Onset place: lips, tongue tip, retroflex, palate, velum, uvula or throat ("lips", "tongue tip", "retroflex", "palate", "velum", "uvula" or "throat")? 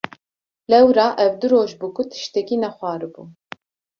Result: tongue tip